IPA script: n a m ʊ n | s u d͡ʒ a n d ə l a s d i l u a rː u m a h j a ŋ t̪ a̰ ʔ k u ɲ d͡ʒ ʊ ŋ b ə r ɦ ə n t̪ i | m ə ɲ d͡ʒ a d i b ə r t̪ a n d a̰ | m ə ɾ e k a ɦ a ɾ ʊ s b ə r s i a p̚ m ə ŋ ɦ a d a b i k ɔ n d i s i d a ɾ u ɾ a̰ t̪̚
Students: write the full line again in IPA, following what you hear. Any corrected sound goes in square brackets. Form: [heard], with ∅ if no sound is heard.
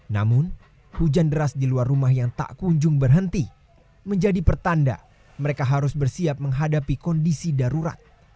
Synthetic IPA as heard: n a m ʊ n | [h] u d͡ʒ a n d ə [ɾ] a s d i l u a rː u m a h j a ŋ t̪ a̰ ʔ k u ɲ d͡ʒ ʊ ŋ b ə r ɦ ə n t̪ i | m ə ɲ d͡ʒ a d i [p] ə r t̪ a n d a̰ | m ə ɾ e k a ɦ a ɾ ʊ s b ə r s i a p̚ m ə ŋ ɦ a d a [p] i k ɔ n d i s i d a ɾ u ɾ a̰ t̪̚